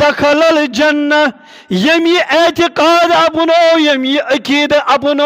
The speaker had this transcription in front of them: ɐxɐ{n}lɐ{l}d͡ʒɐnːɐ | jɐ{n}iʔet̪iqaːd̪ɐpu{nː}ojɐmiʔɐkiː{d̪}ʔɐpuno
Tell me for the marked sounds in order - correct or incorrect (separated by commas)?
incorrect, correct, incorrect, incorrect, correct